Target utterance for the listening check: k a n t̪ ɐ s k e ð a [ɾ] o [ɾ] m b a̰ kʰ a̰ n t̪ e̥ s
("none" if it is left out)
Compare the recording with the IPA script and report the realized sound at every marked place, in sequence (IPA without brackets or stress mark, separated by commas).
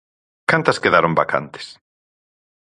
ɾ, none